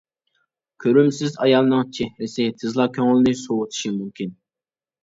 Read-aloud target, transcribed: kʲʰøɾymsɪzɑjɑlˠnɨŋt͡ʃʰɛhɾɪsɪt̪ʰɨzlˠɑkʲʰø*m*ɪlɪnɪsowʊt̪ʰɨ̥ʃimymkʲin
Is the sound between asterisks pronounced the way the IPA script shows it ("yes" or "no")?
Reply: no